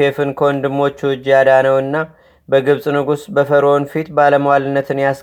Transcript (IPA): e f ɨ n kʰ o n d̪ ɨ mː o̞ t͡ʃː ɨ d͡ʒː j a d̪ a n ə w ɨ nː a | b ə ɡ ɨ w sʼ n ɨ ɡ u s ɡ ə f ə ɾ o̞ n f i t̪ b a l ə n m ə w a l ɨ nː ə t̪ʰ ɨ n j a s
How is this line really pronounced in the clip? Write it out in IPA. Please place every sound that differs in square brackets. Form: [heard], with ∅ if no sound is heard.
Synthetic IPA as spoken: e f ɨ n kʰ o n d̪ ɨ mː o̞ t͡ʃː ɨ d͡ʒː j a d̪ a n ə w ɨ nː a | b ə ɡ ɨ [β] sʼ n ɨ ɡ u s [b] ə f ə ɾ o̞ n f i t̪ b a l ə [∅] m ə w a l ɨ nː ə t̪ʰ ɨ n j a s